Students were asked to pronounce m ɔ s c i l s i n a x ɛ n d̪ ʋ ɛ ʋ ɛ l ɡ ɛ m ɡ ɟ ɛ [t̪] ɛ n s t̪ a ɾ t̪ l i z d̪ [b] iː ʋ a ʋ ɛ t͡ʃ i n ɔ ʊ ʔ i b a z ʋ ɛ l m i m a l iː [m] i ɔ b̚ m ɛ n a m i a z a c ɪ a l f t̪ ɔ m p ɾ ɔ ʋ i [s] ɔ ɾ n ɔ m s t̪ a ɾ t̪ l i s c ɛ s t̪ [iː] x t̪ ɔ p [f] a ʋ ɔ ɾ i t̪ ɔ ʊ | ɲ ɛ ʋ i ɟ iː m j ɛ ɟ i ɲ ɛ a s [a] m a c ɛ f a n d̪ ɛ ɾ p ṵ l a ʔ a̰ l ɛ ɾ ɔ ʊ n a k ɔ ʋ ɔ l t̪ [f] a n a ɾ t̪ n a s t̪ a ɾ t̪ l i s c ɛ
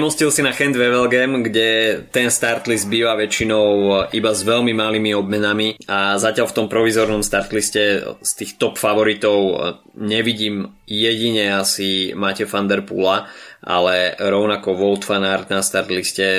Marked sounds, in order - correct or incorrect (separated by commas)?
correct, correct, correct, incorrect, correct, correct, incorrect, correct